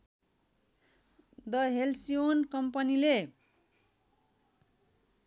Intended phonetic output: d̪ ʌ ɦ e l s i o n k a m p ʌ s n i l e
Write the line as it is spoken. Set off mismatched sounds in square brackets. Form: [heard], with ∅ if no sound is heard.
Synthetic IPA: d̪ ʌ ɦ e l s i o n k [ʌ] m p ʌ [∅] n i l e